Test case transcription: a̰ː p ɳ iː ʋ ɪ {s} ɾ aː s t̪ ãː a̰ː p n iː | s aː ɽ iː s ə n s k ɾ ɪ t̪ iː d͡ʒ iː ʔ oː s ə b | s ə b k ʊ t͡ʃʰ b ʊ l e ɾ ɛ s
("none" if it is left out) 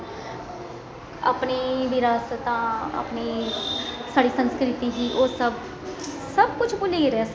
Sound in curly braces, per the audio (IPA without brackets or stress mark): none